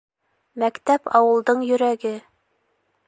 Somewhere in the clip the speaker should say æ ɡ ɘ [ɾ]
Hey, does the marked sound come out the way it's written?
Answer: no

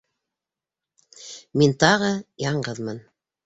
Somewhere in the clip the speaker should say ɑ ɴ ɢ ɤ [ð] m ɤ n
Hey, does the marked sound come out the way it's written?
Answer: yes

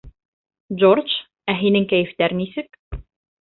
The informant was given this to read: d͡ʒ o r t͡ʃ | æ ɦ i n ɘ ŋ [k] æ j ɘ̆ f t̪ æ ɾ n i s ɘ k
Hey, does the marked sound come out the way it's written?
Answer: yes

